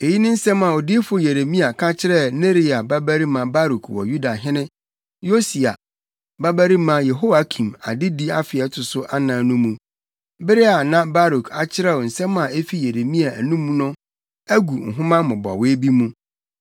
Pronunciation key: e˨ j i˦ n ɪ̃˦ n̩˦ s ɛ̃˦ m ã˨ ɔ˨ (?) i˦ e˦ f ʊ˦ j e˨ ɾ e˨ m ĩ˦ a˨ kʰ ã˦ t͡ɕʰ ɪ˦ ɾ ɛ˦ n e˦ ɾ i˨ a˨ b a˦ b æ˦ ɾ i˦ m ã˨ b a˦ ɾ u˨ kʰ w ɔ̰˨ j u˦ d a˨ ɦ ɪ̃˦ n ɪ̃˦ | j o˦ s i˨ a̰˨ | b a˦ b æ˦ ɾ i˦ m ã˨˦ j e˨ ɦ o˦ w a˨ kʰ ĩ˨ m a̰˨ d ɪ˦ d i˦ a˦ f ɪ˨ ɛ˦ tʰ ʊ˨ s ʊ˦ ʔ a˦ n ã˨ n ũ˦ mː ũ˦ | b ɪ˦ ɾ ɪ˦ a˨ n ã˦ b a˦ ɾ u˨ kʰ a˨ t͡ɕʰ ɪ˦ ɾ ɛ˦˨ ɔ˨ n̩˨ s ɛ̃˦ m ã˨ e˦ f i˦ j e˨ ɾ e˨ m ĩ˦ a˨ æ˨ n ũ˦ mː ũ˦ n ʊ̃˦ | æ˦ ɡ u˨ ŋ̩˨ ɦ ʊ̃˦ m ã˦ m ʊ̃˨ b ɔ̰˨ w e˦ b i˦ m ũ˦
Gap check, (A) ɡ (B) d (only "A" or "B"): B